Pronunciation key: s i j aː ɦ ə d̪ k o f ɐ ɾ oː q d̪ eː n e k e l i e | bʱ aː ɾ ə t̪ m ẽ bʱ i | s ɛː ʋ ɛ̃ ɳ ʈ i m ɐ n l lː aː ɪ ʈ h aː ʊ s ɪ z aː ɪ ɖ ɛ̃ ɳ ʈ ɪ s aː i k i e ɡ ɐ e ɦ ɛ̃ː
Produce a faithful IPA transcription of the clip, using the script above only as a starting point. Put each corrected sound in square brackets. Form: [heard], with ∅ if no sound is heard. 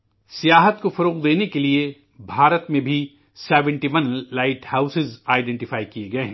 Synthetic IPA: s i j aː ɦ ə [t̪] k o f ɐ ɾ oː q d̪ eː n e k e l i e | bʱ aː ɾ ə t̪ m ẽ bʱ i | s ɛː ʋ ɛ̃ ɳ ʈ i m ɐ n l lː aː ɪ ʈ h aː ʊ s ɪ z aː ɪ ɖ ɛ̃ ɳ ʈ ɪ [f] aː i k i e ɡ ɐ e ɦ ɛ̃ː